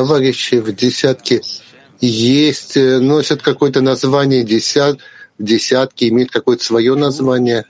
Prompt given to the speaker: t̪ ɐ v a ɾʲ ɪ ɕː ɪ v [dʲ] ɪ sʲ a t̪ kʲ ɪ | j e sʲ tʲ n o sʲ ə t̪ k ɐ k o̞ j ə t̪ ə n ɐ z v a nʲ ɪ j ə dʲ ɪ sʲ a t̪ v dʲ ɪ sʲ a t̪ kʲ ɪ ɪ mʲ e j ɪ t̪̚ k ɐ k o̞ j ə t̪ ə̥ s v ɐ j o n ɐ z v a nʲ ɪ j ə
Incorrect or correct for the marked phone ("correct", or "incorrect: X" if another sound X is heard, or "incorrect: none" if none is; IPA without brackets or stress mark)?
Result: correct